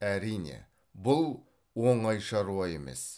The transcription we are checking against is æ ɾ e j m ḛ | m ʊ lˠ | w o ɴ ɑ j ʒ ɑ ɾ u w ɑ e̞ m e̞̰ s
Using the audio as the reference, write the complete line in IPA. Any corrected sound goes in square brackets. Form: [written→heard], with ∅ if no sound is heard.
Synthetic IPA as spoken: æ ɾ [e→i] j [m→n] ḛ | [m→b] ʊ lˠ | w o ɴ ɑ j [ʒ→ʃ] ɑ ɾ u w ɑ e̞ m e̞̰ s

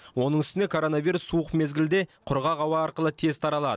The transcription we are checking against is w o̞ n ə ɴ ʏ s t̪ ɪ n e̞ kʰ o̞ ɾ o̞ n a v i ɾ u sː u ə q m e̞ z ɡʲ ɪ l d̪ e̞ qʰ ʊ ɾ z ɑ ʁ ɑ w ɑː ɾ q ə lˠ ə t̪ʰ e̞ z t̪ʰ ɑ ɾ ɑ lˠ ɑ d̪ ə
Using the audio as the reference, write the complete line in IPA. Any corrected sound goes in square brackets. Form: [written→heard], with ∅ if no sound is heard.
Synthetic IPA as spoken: w o̞ n ə ɴ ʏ s t̪ ɪ n e̞ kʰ o̞ ɾ o̞ n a v i ɾ u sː u ə q m e̞ z ɡʲ ɪ l d̪ e̞ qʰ ʊ ɾ [z→ʁ] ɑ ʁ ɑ w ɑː ɾ q ə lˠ ə t̪ʰ e̞ z t̪ʰ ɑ ɾ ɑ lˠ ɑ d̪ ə

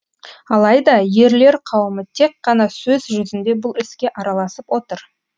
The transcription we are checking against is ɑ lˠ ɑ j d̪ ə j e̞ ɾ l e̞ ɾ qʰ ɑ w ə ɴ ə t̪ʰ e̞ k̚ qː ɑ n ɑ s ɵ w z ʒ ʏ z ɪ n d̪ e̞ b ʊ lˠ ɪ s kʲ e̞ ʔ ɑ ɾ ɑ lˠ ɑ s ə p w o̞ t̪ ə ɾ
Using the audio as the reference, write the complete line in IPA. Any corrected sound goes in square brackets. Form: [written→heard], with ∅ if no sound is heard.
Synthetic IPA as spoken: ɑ lˠ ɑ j d̪ [ə→ɑ] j e̞ ɾ l e̞ ɾ qʰ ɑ w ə [ɴ→m] ə t̪ʰ e̞ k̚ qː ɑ n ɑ s ɵ [w→∅] z ʒ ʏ z ɪ n d̪ e̞ b ʊ lˠ ɪ s kʲ e̞ ʔ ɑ ɾ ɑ lˠ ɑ s ə p w o̞ t̪ ə ɾ

